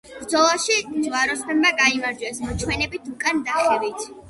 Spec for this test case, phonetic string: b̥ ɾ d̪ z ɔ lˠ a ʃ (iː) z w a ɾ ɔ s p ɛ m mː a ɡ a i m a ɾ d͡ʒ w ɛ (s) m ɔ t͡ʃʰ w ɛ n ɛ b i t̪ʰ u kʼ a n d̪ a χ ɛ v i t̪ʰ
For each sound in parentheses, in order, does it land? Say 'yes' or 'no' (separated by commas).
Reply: no, yes